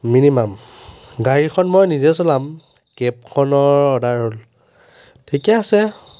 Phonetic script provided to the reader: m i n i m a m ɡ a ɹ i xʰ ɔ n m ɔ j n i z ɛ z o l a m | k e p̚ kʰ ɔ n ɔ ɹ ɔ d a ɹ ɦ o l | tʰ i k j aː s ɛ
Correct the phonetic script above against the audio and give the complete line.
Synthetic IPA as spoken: m i n i m a m ɡ a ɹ i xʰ ɔ n m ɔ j n i z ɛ s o l a m | k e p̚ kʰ ɔ n ɔ ɹ ɔ d a ɹ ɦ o l | tʰ i k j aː s ɛ